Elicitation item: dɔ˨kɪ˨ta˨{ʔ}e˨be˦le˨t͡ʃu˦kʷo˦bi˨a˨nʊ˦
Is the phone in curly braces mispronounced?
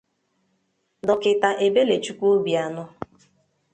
no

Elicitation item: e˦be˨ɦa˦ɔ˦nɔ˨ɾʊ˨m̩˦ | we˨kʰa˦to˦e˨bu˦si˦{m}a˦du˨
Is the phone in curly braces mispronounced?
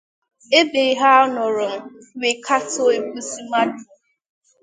no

